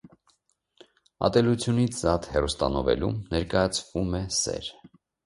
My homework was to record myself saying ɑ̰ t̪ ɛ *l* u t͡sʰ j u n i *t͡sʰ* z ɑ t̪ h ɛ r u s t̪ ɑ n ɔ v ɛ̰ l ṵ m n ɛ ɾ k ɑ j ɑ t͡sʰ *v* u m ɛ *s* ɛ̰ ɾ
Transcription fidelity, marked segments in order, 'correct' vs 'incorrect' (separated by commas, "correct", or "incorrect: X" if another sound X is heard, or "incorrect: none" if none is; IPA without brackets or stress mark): correct, correct, correct, correct